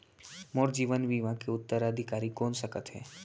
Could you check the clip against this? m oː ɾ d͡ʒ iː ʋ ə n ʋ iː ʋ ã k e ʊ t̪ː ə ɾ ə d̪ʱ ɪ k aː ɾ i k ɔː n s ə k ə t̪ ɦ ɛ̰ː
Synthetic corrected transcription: m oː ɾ d͡ʒ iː ʋ ə n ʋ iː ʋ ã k e ʊ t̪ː ə ɾ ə d̪ʱ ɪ k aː ɾ i k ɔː n s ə k ə t̪ ɦ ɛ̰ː